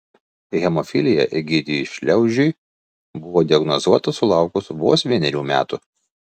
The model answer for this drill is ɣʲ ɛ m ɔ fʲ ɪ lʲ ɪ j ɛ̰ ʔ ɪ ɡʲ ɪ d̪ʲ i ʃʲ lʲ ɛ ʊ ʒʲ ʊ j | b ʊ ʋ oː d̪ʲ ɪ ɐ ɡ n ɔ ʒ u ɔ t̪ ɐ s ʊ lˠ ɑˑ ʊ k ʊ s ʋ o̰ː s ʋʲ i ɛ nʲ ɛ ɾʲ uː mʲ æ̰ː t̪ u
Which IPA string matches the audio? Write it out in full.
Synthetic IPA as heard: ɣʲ ɛ m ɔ fʲ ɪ lʲ ɪ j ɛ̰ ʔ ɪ ɡʲ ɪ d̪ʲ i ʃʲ lʲ ɛ ʊ ʒʲ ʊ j | b ʊ ʋ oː d̪ʲ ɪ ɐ ɡ n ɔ z u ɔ t̪ ɐ s ʊ lˠ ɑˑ ʊ k ʊ s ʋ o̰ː s ʋʲ i ɛ nʲ ɛ ɾʲ uː mʲ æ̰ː t̪ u

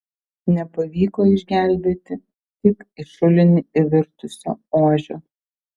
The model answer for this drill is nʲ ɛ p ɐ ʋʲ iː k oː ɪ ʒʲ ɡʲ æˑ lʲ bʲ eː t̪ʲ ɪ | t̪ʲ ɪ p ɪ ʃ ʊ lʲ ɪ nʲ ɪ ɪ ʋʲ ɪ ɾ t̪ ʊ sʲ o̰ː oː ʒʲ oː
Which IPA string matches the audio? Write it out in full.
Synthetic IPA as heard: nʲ ɛ p ɐ ʋʲ iː k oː ɪ ʒʲ ɡʲ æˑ lʲ bʲ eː t̪ʲ ɪ | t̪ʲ ɪ k ɪ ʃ ʊ lʲ ɪ nʲ ɪ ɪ ʋʲ ɪ ɾ t̪ ʊ sʲ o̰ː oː ʒʲ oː

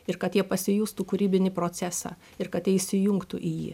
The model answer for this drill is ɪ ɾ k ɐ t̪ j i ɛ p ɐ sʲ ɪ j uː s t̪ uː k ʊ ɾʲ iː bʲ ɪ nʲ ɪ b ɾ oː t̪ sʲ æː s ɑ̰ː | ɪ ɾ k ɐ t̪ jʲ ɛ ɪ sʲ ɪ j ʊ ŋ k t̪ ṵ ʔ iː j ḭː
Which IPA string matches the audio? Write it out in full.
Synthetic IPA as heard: ɪ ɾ k ɐ t̪ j i ɛ p ɐ sʲ ɪ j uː s t̪ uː k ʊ ɾʲ iː bʲ ɪ nʲ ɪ p ɾ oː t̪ sʲ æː s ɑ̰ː | ɪ ɾ k ɐ t̪ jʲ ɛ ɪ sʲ ɪ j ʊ ŋ k t̪ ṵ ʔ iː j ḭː

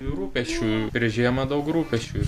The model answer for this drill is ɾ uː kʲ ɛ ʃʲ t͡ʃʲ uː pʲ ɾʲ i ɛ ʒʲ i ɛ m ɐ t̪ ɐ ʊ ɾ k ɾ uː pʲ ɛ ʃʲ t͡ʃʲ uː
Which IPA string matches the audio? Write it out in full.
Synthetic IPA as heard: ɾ uː pʲ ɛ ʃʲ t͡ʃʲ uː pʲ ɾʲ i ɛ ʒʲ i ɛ m ɐ d̪ ɐ ʊ k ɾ uː pʲ ɛ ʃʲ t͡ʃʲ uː

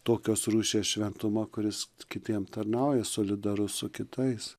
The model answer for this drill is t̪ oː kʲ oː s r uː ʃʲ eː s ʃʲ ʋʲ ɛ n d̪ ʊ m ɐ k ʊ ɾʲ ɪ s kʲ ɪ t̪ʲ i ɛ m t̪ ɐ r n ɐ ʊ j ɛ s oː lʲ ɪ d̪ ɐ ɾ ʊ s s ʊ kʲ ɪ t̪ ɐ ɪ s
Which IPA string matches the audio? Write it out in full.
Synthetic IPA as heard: t̪ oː kʲ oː s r uː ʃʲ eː s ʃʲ ʋʲ ɛ n t̪ ʊ m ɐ k ʊ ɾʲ ɪ s kʲ ɪ t̪ʲ i ɛ m t̪ ɐ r n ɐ ʊ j ɛ s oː lʲ ɪ d̪ ɐ ɾ ʊ s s ʊ kʲ ɪ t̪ ɐ ɪ s

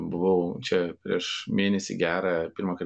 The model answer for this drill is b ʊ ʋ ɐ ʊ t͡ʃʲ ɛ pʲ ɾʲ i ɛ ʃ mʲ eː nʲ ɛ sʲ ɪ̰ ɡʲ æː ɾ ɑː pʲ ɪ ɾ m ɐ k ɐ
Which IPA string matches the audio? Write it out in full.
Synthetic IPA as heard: b ʊ ʋ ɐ ʊ t͡ʃʲ ɛ pʲ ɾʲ i ɛ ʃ mʲ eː nʲ ɛ sʲ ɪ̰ ɡʲ æː ɾ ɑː pʲ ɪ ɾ m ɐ k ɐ

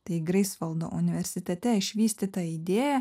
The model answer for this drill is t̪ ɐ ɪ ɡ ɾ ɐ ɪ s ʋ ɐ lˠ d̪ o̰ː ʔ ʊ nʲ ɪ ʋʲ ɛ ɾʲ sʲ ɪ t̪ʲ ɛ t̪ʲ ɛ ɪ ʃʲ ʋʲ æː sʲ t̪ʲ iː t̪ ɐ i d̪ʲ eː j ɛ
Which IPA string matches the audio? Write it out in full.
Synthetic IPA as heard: t̪ ɐ ɪ ɡ ɾ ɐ ɪ s ʋ ɐ lˠ d̪ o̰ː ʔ ʊ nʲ ɪ ʋʲ ɛ ɾʲ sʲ ɪ t̪ʲ ɛ t̪ʲ ɛ ɪ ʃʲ ʋʲ iː sʲ t̪ʲ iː t̪ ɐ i d̪ʲ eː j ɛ

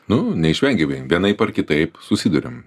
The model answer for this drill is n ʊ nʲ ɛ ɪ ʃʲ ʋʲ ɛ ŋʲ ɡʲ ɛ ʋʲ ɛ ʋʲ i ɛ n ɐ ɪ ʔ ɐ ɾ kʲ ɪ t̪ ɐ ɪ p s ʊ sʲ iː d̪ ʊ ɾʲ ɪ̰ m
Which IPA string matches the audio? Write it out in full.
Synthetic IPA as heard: n ʊ nʲ ɛ ɪ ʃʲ ʋʲ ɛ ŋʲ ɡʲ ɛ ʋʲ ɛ ʋʲ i ɛ n ɐ ɪ p ɐ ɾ kʲ ɪ t̪ ɐ ɪ p s ʊ sʲ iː d̪ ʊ ɾʲ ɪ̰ m

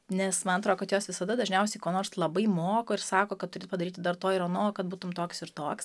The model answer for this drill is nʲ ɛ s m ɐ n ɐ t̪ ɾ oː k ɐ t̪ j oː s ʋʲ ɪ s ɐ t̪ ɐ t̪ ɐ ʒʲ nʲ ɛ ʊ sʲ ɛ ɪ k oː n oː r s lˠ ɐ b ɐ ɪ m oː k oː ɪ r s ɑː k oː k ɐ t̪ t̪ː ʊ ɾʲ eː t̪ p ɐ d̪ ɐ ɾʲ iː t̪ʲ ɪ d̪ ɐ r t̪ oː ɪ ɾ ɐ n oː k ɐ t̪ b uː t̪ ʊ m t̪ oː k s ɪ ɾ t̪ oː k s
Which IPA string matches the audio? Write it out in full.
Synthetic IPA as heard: nʲ ɛ s m ɐ n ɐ t̪ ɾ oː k ɐ t̪ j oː s ʋʲ ɪ s ɐ d̪ ɐ d̪ ɐ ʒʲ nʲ ɛ ʊ sʲ ɛ ɪ k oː n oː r s lˠ ɐ b ɐ ɪ m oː k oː ɪ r s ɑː k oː k ɐ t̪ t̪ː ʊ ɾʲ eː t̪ p ɐ d̪ ɐ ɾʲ iː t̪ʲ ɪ d̪ ɐ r t̪ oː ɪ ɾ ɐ n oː k ɐ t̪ b uː t̪ ʊ m t̪ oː k s ɪ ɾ t̪ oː k s

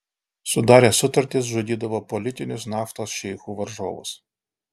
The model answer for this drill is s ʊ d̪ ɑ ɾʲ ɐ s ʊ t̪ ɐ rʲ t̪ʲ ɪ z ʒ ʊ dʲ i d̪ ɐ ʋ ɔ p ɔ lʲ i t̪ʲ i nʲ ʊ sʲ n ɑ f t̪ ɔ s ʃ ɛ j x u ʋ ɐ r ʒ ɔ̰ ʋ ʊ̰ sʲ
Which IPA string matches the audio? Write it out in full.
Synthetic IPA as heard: s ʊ d̪ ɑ ɾʲ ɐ s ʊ t̪ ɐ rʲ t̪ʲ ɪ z ʒ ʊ dʲ i d̪ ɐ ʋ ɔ p ɔ lʲ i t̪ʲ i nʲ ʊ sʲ n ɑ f t̪ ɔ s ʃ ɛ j x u ʋ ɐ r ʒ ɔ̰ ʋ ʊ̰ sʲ

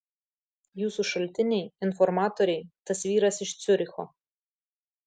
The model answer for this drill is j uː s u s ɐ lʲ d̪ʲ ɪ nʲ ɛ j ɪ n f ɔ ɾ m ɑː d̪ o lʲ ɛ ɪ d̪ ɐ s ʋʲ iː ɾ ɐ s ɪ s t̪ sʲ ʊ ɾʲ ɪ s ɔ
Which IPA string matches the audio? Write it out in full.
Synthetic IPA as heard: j uː s u ʃ ɐ lʲ t̪ʲ ɪ nʲ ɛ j ɪ n f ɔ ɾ m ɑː t̪ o ɾʲ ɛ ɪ t̪ ɐ s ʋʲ iː ɾ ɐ s ɪ ʃ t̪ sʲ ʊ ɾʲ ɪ x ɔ

